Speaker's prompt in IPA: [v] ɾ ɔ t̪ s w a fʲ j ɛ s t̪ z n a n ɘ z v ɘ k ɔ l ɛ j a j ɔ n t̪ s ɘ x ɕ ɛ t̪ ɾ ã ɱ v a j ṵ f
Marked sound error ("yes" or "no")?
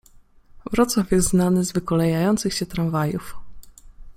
no